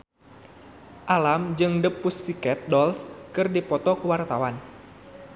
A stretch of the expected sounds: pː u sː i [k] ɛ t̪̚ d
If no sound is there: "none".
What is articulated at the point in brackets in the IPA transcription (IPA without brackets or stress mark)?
k